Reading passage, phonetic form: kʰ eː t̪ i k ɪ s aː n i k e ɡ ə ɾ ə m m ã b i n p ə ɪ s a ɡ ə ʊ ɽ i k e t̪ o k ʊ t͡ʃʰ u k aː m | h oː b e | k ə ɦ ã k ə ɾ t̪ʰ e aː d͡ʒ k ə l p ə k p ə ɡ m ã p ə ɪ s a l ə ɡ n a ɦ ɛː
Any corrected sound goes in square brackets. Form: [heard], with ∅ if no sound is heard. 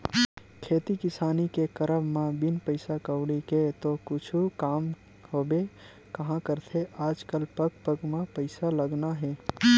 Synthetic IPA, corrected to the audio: kʰ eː t̪ i k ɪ s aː n i k e [k] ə ɾ ə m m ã b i n p ə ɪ s a [k] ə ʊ ɽ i k e t̪ o k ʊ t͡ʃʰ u k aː m | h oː b e | k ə ɦ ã k ə ɾ t̪ʰ e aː d͡ʒ k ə l p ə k p ə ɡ m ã p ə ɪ s a l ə ɡ n a ɦ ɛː